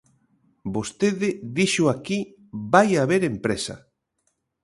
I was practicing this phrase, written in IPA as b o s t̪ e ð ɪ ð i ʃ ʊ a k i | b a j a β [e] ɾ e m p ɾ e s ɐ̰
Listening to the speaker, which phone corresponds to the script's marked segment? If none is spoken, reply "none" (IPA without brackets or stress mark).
e